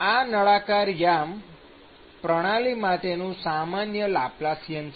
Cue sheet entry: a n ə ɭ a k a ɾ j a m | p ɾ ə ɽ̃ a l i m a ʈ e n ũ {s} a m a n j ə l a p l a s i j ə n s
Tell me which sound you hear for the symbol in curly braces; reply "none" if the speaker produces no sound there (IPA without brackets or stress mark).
s